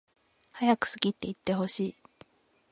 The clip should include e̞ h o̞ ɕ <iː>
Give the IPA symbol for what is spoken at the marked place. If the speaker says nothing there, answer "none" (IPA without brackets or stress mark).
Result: iː